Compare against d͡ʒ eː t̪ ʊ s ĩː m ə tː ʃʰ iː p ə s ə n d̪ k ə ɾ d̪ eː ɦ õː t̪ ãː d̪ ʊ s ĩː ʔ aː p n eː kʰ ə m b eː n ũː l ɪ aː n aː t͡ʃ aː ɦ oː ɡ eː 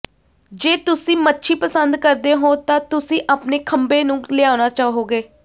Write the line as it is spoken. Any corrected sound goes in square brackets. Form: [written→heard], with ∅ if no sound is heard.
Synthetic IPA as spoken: d͡ʒ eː t̪ ʊ s ĩː m ə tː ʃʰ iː p ə s ə n d̪ k ə ɾ d̪ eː ɦ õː t̪ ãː [d̪→t̪] ʊ s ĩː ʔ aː p n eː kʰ ə m b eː n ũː l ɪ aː n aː t͡ʃ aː ɦ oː ɡ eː